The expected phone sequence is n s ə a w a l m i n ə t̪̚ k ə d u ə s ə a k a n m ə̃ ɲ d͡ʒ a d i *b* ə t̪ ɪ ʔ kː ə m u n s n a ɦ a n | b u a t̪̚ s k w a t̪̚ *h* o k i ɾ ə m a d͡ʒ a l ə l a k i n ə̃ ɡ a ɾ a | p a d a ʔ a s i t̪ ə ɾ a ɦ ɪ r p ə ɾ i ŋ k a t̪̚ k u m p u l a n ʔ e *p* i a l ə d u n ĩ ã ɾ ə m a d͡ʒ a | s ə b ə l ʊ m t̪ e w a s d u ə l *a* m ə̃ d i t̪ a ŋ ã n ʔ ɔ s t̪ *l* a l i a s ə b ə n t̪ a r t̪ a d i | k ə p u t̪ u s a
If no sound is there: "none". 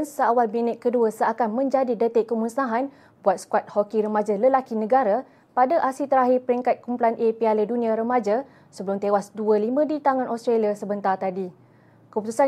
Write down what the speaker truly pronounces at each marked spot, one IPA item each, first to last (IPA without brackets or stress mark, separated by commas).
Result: d, h, p, i, ɾ